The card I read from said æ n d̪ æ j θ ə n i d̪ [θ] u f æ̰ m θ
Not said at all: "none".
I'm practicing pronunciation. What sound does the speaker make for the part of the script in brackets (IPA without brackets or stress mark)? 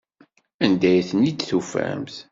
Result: θ